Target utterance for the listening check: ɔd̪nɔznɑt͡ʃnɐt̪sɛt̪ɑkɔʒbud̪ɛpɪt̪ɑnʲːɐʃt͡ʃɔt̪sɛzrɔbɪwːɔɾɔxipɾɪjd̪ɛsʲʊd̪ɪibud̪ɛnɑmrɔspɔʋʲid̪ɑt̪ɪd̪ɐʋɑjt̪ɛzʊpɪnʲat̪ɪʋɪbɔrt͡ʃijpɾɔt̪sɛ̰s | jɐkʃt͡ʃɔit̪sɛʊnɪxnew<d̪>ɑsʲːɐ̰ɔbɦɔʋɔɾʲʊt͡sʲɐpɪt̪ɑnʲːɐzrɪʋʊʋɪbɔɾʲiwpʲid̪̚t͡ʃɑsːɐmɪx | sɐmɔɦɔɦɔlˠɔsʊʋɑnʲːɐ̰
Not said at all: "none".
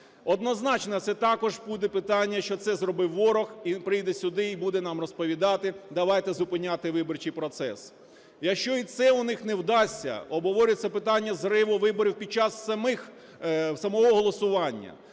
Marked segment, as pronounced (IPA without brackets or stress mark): d̪